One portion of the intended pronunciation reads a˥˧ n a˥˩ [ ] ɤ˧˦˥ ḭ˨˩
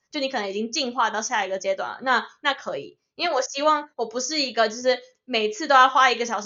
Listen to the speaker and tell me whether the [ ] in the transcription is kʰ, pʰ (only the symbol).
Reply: kʰ